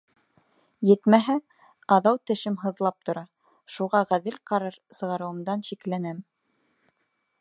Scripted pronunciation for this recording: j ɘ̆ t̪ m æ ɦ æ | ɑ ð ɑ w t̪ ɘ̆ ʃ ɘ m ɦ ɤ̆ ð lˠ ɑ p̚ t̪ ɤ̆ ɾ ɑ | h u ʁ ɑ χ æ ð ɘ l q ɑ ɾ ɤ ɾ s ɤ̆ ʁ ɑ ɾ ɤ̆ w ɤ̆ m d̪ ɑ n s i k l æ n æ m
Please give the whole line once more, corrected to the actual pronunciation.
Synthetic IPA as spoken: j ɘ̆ t̪ m æ ɦ æ | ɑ ð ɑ w t̪ ɘ̆ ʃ ɘ m ɦ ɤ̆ ð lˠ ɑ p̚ t̪ ŏ ɾ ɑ | ʃ u ʁ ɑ ʁ æ ð ɘ l q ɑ ɾ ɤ ɾ s ɤ̆ ʁ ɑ ɾ ɤ̆ w ɤ̆ m d̪ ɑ n ʃ i k l æ n æ m